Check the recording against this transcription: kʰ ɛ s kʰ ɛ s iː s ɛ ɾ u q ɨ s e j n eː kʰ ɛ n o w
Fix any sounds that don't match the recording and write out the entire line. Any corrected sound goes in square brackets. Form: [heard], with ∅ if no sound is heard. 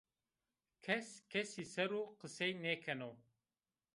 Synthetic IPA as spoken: kʰ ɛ s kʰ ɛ s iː s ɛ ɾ u q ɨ s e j n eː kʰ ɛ n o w

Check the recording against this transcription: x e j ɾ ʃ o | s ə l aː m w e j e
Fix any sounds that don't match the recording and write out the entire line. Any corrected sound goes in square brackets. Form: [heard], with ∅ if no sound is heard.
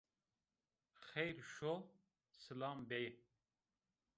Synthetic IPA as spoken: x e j ɾ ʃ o | s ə l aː m [b] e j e

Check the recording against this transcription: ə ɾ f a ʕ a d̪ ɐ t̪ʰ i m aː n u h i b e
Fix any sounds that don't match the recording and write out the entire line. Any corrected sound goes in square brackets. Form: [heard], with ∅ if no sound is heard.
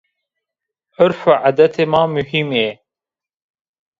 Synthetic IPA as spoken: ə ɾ f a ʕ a d̪ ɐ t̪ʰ [e] m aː [m] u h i [m] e

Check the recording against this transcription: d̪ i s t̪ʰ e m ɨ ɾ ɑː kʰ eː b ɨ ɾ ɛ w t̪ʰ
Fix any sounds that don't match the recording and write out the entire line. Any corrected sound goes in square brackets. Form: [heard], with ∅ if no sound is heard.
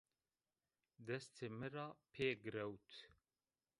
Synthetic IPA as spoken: d̪ [ɛ] s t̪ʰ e m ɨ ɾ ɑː [pʰ] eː [ɡ] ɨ ɾ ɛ w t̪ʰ

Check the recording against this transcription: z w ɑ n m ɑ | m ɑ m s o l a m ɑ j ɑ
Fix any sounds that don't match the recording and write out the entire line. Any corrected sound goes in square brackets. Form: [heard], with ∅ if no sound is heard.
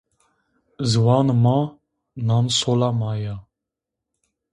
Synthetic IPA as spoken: z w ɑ n m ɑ | [n] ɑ [n] s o l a m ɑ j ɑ

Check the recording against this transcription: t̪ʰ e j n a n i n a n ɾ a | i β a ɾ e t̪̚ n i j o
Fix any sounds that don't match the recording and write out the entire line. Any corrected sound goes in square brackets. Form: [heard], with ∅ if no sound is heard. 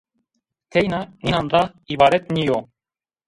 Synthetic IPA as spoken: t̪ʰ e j n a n i n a n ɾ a | i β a ɾ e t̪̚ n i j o

